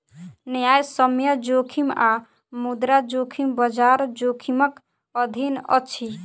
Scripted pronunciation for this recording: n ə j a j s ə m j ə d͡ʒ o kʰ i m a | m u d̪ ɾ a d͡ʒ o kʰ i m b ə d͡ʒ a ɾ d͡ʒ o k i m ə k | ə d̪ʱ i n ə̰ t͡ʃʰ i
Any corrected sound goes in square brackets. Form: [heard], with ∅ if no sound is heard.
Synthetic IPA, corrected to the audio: n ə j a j s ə m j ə d͡ʒ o kʰ i m a | m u d̪ ɾ a d͡ʒ o kʰ i m b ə d͡ʒ a ɾ d͡ʒ o [kʰ] i m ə k | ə d̪ʱ i n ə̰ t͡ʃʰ i